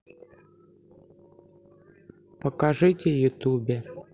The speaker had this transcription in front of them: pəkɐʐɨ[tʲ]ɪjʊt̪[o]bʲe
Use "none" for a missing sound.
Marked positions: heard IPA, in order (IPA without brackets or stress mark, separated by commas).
tʲ, u